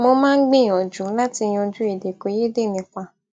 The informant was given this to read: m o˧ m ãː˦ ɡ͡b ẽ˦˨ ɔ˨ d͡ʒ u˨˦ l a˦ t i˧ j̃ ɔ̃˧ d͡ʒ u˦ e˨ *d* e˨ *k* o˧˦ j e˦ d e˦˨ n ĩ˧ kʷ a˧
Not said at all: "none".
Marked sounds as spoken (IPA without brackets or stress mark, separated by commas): d, k